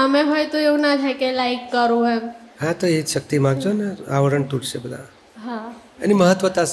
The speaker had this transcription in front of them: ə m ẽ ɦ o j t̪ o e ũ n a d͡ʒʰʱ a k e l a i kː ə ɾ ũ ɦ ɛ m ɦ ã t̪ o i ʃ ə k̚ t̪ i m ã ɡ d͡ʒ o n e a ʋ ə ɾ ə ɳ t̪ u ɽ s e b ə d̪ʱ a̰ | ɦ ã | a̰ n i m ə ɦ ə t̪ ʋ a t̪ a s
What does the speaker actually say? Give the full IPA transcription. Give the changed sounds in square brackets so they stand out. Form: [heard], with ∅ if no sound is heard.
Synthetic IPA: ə m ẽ ɦ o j t̪ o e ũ n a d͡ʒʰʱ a k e l a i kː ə ɾ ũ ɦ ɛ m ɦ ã t̪ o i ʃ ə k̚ t̪ i m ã ɡ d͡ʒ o n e a ʋ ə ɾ ə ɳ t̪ u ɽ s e b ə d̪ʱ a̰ | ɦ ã | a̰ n i m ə ɦ ə t̪ ʋ [ə] t̪ a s